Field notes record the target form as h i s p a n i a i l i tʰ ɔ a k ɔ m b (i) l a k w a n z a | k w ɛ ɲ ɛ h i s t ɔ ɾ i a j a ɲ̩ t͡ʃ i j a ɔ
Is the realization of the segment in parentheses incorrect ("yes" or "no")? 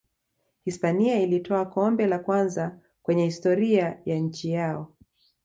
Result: yes